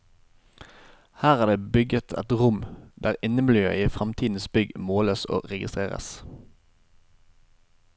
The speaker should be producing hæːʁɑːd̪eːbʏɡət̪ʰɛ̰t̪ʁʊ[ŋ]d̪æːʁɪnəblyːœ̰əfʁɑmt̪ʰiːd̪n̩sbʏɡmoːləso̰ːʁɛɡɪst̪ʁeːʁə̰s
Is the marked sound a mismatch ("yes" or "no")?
yes